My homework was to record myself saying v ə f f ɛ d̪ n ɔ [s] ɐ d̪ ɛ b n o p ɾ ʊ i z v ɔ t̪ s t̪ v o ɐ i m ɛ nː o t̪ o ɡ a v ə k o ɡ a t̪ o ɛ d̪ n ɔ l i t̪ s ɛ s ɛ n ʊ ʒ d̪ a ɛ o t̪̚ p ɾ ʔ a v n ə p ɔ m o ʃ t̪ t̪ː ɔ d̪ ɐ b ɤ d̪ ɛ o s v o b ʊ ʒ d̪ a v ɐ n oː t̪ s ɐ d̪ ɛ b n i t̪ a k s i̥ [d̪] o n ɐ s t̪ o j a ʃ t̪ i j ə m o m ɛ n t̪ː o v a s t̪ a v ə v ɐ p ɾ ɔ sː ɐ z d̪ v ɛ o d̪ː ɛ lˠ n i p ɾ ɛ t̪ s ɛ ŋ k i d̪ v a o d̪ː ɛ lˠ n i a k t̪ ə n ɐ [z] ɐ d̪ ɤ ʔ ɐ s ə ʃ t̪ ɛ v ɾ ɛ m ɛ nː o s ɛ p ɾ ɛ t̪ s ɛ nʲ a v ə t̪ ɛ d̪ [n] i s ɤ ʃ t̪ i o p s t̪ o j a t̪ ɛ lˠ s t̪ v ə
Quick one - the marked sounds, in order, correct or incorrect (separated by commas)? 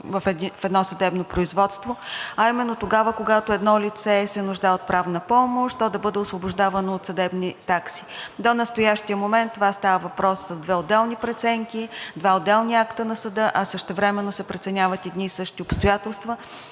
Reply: correct, correct, incorrect, correct